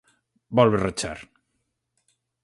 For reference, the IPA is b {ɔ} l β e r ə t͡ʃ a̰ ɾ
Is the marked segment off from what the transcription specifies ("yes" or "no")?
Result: no